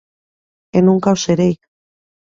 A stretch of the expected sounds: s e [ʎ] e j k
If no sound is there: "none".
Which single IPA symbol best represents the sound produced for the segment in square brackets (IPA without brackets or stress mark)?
ɾ